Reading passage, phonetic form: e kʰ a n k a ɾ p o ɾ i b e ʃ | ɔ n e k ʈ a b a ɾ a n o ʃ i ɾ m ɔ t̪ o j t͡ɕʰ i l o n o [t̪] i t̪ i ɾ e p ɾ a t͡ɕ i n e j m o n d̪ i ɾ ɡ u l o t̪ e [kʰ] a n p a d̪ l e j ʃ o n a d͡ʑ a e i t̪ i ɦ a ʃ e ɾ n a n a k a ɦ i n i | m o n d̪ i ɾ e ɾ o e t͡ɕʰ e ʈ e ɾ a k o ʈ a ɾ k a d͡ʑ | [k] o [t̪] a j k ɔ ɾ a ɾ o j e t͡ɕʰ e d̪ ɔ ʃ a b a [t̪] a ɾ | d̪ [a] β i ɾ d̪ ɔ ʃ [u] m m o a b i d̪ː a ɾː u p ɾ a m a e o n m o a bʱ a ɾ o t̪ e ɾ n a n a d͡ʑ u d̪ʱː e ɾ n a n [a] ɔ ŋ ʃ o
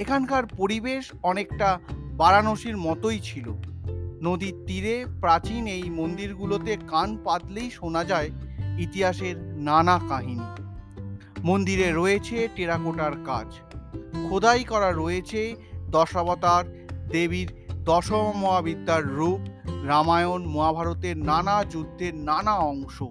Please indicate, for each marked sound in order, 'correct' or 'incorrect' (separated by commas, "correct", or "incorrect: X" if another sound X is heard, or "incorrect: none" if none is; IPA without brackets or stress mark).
incorrect: d̪, incorrect: k, incorrect: kʰ, incorrect: d̪, correct, incorrect: e, incorrect: o, correct